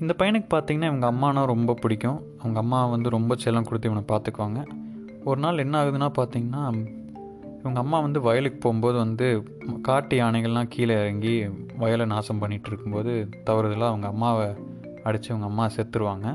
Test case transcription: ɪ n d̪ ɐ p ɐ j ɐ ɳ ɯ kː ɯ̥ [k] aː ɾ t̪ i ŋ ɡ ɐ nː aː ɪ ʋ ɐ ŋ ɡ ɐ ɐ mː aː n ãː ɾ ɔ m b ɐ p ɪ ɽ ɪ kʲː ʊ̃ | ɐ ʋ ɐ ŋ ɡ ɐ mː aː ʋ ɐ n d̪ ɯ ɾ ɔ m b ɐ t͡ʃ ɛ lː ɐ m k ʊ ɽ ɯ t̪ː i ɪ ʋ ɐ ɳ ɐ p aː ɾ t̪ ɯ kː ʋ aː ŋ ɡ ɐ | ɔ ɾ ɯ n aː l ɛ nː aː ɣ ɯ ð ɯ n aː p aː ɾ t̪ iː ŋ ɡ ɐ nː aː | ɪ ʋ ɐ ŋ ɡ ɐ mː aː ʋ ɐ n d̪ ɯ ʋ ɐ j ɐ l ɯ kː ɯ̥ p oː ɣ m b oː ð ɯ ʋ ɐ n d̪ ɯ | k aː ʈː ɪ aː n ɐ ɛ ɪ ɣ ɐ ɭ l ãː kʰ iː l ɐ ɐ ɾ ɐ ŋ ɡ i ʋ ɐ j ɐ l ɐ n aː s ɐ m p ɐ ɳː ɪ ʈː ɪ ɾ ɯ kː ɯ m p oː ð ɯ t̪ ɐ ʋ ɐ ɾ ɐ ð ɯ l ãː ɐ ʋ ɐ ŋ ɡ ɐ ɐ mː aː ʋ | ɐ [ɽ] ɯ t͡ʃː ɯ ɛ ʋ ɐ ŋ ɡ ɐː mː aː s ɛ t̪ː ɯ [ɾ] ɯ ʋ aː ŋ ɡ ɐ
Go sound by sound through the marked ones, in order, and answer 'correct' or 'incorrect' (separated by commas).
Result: incorrect, correct, correct